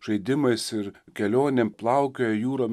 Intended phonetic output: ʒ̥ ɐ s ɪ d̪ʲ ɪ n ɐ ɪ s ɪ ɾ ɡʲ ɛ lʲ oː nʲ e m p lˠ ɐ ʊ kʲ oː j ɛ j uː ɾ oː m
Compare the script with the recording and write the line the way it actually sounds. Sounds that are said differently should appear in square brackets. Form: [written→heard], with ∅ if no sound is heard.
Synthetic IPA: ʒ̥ ɐ [s→∅] ɪ d̪ʲ ɪ [n→m] ɐ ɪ s ɪ ɾ [ɡʲ→kʲ] ɛ lʲ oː nʲ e m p lˠ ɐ ʊ kʲ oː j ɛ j uː ɾ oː m